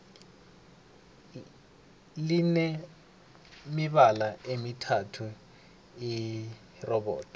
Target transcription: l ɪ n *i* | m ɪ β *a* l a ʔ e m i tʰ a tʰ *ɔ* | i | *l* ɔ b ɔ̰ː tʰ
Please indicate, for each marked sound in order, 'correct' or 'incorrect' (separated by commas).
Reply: incorrect, correct, incorrect, incorrect